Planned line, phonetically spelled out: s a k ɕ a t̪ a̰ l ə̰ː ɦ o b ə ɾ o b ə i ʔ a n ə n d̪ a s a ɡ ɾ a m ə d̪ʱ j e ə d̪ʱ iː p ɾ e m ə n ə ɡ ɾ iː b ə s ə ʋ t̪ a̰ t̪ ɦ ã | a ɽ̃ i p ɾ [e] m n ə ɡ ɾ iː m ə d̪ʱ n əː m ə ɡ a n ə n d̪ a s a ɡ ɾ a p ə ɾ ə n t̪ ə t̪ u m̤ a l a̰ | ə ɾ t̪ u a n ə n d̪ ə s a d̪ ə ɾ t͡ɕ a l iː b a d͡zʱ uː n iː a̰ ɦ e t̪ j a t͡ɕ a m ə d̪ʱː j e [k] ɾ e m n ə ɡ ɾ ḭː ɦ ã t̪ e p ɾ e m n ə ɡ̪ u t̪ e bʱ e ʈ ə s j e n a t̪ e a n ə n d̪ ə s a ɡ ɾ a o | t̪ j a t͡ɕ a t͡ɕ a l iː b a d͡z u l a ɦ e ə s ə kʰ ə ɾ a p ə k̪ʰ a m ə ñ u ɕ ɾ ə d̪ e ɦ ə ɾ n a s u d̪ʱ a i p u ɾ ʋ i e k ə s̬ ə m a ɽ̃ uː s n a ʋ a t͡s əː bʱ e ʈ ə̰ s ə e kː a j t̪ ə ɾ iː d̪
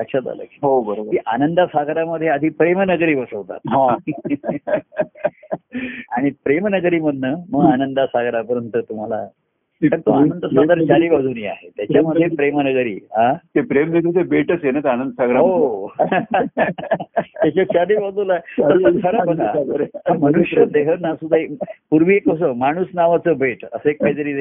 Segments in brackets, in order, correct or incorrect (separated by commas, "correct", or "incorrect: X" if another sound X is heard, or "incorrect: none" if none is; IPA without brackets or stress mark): correct, incorrect: p